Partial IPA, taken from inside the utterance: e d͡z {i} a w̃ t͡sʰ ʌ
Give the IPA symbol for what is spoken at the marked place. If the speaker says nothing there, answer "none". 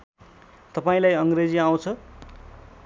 i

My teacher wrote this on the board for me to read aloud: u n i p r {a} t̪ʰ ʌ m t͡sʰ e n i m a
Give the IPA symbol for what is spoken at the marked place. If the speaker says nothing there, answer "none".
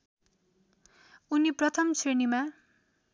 ʌ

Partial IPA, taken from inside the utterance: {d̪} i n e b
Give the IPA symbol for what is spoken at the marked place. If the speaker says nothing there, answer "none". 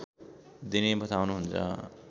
d̪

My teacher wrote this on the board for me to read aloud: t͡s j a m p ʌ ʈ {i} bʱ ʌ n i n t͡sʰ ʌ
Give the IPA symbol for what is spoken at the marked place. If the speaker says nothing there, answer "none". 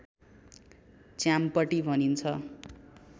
i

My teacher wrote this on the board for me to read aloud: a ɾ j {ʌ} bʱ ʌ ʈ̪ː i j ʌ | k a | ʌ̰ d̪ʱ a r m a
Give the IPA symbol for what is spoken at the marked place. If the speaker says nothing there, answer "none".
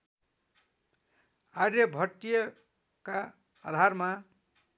ʌ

